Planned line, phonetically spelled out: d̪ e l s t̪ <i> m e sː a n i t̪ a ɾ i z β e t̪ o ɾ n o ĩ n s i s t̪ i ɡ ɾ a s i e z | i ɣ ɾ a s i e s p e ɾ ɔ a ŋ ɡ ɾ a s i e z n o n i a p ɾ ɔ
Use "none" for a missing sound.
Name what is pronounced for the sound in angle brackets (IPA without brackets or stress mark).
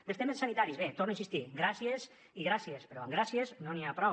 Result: e